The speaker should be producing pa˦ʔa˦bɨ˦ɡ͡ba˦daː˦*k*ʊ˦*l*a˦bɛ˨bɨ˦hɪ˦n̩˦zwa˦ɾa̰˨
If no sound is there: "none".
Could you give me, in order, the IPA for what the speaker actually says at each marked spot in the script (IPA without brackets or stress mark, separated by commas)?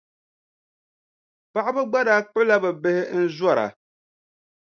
k͡p, l